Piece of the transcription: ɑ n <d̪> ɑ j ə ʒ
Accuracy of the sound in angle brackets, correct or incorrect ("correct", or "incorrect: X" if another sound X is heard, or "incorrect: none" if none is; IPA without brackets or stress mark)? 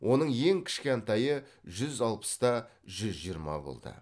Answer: incorrect: t̪